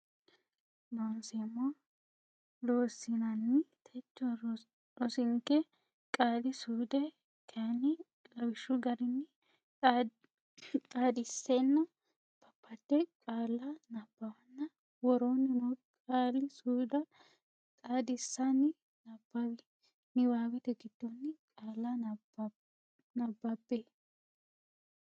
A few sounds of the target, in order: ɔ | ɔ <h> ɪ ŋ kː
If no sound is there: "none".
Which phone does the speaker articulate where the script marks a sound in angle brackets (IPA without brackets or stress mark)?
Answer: s